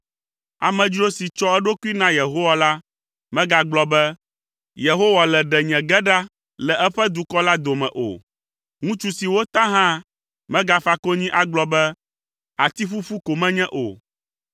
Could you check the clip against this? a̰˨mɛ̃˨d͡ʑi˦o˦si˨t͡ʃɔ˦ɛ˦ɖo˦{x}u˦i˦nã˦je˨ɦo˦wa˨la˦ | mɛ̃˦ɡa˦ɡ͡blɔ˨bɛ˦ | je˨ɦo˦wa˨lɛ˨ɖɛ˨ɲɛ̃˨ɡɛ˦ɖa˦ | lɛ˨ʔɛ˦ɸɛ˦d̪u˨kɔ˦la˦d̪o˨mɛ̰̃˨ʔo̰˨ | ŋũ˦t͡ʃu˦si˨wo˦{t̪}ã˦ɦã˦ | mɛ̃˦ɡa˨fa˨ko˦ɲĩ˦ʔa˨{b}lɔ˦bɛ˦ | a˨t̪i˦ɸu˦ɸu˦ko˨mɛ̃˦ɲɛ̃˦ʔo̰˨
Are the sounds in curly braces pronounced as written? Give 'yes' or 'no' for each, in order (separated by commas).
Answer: no, yes, no